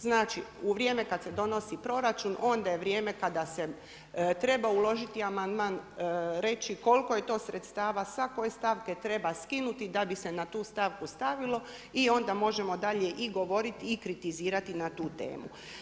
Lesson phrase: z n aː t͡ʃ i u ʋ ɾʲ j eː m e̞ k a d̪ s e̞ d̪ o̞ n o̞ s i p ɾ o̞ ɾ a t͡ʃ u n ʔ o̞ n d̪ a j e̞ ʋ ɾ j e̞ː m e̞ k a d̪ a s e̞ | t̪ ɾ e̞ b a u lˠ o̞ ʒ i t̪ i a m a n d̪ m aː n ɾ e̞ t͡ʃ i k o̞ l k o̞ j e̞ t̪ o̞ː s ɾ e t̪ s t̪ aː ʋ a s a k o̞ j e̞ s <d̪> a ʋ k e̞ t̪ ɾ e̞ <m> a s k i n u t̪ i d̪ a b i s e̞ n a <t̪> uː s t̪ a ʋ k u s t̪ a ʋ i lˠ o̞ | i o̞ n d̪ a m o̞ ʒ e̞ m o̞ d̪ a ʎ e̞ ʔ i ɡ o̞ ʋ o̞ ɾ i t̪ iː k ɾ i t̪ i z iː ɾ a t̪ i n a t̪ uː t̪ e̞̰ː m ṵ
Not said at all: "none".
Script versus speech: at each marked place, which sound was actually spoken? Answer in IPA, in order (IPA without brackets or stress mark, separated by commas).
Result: t̪, b, t̪